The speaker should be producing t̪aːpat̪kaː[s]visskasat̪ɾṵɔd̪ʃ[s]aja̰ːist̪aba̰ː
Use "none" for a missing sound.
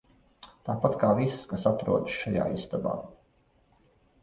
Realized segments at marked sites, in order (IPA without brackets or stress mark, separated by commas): none, ʃ